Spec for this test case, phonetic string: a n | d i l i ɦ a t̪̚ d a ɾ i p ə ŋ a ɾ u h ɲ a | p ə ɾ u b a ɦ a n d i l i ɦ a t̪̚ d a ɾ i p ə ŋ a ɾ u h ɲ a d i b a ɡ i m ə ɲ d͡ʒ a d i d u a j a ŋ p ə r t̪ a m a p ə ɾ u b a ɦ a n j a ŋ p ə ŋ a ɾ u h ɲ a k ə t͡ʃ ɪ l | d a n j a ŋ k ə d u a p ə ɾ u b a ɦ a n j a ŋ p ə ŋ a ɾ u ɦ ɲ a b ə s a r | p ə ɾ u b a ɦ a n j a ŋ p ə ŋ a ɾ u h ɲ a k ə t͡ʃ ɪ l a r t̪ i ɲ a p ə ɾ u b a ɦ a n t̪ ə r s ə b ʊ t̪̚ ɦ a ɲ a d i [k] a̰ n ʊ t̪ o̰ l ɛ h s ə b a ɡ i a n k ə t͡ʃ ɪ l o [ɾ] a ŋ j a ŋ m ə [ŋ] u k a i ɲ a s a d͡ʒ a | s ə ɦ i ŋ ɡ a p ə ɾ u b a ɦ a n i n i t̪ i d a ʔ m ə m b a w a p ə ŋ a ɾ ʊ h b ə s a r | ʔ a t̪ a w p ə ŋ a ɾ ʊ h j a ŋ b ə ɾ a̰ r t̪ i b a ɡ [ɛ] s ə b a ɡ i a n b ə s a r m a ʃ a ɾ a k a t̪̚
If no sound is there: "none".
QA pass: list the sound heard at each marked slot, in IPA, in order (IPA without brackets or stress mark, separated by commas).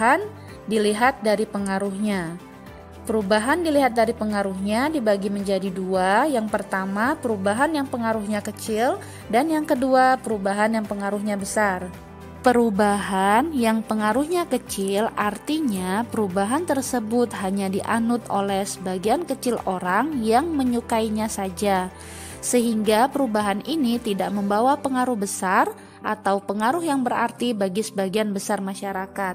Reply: ʔ, ɾ, ɲ, i